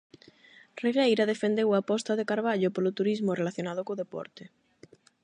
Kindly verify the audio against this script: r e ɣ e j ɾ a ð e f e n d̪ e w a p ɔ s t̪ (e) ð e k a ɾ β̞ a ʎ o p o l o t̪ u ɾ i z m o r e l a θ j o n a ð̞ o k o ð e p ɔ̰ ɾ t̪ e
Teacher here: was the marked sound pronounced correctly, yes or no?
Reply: no